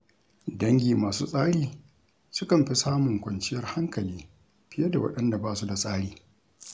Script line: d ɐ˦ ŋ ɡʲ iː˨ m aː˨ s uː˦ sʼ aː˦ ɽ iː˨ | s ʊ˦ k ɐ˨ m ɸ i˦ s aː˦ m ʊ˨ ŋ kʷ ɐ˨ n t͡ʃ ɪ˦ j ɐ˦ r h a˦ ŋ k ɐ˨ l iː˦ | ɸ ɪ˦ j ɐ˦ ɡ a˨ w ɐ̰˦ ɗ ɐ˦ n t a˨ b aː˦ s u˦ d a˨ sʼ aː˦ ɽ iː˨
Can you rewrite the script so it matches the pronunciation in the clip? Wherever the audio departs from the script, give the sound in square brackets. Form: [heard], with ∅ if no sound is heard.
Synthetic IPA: d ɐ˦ ŋ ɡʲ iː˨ m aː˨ s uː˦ sʼ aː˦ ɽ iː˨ | s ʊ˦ k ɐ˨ m ɸ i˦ s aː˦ m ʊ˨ ŋ kʷ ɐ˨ n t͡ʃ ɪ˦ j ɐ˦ r h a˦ ŋ k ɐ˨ l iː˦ | ɸ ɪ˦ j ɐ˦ [d] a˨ w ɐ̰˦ ɗ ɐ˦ n [d] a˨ b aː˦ s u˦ d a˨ sʼ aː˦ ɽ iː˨